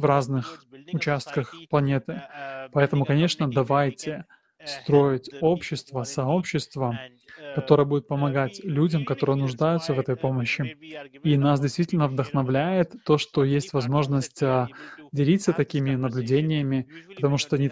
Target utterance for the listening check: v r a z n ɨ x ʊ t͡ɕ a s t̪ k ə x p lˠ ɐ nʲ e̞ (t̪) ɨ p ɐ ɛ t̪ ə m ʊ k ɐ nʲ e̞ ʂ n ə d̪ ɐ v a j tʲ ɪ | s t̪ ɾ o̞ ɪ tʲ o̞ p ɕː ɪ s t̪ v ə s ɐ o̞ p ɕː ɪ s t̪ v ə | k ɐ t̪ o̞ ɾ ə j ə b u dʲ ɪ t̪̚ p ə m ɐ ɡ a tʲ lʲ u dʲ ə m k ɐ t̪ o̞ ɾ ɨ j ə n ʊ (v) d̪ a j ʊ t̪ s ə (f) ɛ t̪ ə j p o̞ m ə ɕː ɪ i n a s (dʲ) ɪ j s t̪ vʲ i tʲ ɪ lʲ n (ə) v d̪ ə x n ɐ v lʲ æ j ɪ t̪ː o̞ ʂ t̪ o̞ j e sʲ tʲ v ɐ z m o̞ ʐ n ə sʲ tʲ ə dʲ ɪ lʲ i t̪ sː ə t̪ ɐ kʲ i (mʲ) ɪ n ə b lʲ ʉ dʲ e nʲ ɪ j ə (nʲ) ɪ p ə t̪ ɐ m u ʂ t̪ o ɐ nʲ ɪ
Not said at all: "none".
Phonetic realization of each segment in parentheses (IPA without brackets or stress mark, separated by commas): t̪, ʐ, v, dʲ, ə, mʲ, mʲ